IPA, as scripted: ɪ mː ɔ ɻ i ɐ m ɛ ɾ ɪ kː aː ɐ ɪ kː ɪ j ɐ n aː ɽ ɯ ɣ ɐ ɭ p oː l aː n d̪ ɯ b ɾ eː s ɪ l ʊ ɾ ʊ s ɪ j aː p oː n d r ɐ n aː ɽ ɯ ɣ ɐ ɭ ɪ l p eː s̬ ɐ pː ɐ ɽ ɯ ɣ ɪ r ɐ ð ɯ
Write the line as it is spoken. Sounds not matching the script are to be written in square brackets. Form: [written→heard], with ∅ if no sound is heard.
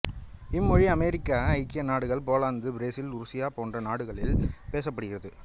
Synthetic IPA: ɪ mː ɔ ɻ i ɐ m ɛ ɾ ɪ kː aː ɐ ɪ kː ɪ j ɐ n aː ɽ ɯ ɣ ɐ ɭ p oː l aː n d̪ ɯ b ɾ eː s ɪ l ʊ ɾ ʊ s ɪ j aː p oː n d r ɐ n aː ɽ ɯ ɣ ɐ ɭ ɪ l p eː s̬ ɐ pː ɐ ɽ ɯ ɣ ɪ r ɐ ð ɯ